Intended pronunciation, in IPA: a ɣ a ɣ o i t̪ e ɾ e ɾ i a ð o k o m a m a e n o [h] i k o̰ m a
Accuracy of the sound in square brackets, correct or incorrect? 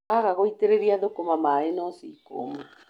incorrect